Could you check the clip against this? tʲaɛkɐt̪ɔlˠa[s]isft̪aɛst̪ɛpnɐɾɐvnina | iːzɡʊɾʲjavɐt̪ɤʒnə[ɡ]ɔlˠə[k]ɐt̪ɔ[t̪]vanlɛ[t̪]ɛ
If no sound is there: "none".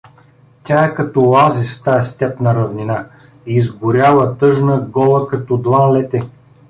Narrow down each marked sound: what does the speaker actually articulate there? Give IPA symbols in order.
z, ɡ, k, d̪, t̪

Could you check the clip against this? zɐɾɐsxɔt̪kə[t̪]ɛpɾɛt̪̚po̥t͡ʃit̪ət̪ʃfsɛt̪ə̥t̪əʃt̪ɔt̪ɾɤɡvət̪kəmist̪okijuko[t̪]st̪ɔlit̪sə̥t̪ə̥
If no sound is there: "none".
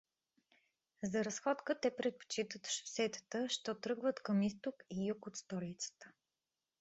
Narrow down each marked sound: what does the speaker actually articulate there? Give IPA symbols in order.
t̪, t̪

